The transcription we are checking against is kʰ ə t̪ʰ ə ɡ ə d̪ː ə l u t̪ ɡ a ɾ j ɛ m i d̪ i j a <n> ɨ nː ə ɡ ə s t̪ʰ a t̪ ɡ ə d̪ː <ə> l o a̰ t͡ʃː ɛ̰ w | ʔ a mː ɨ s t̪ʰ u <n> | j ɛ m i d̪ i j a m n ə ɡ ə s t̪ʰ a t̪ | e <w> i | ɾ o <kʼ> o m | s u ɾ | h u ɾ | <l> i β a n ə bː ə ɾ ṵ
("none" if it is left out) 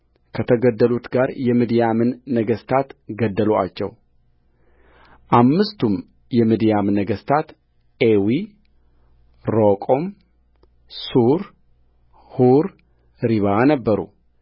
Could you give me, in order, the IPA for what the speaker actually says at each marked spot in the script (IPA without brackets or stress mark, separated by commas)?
m, ə, m, w, kʼ, ɾ